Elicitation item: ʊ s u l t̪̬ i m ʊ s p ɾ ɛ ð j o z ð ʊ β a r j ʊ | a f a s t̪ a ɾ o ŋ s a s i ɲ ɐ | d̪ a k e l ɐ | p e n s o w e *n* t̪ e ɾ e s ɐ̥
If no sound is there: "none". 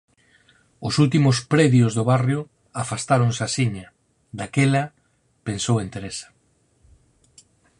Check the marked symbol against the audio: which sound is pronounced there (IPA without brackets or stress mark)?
n